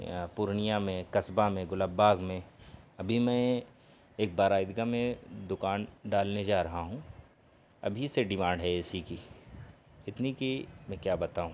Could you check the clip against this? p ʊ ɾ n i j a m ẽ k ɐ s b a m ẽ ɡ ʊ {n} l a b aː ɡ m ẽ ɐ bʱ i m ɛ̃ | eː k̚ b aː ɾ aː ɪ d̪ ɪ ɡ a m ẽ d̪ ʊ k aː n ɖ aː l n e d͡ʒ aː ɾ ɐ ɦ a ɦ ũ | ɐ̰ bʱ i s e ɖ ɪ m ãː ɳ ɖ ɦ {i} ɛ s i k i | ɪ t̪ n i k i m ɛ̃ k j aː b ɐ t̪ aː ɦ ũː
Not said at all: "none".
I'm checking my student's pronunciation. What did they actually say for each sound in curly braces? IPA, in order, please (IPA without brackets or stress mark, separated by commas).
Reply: none, ɛ